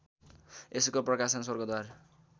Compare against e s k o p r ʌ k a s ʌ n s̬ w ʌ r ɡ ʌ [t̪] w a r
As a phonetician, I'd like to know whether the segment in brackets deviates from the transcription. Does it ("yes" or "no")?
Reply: yes